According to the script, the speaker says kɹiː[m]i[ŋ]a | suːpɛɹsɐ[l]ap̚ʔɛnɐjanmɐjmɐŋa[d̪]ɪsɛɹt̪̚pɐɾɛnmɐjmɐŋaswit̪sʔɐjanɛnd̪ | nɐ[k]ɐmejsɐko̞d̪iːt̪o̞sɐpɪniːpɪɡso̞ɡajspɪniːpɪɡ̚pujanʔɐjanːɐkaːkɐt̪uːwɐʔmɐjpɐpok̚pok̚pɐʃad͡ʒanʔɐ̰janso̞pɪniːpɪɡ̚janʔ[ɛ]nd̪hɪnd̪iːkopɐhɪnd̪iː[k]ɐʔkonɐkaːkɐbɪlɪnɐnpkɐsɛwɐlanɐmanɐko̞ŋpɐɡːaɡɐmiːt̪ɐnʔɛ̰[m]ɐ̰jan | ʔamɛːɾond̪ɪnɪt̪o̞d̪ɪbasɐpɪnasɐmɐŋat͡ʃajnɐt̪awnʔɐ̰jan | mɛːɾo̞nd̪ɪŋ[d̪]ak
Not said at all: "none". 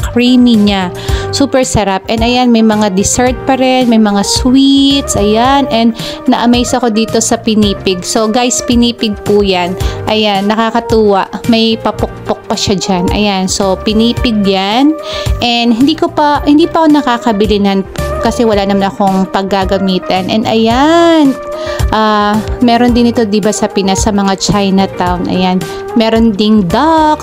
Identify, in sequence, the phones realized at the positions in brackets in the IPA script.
m, ɲ, ɾ, d̪, ʔ, ɛ, p, n, d̪

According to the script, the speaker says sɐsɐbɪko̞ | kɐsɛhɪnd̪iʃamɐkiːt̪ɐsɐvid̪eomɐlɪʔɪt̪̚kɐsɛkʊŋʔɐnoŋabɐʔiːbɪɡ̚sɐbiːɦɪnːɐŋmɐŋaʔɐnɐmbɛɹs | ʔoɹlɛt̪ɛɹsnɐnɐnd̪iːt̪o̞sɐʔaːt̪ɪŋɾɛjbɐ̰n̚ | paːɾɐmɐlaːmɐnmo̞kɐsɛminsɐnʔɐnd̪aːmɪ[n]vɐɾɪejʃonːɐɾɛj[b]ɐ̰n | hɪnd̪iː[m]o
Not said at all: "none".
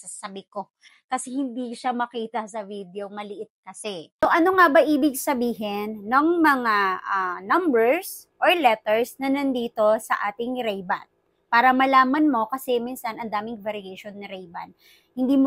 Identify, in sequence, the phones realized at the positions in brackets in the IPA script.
ŋ, b, m

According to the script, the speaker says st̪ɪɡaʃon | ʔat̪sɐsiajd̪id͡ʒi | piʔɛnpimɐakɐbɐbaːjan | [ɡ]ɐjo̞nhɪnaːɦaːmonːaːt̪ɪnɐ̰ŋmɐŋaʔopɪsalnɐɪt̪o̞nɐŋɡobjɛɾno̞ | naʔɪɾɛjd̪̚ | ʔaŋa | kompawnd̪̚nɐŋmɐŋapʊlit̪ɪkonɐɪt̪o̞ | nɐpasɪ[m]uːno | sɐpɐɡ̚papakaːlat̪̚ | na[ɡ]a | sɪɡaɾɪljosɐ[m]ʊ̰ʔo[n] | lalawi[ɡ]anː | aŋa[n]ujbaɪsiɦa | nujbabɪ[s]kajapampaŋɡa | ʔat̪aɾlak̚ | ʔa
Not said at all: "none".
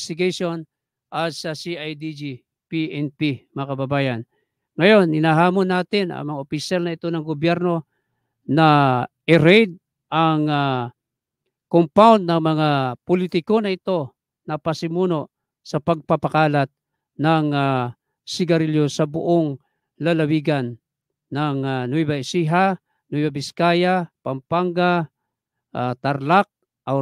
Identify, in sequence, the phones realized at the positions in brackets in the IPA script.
ŋ, m, ŋ, b, ŋ, ɡ, n, s

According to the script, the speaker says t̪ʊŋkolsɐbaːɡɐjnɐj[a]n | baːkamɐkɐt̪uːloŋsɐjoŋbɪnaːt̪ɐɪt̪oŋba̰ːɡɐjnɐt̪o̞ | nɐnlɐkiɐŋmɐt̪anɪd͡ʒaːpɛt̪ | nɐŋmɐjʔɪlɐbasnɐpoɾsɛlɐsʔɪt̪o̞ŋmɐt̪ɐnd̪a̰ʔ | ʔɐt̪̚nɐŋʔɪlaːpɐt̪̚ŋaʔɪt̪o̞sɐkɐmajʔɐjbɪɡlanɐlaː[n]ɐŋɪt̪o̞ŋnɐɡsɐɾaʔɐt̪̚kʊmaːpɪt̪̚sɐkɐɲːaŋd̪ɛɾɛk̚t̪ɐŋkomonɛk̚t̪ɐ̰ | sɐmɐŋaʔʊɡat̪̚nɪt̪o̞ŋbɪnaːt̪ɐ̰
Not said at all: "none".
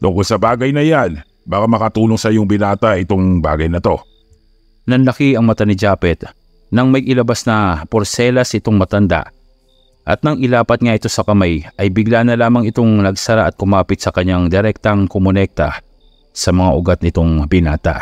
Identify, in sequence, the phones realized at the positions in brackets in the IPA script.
a, m

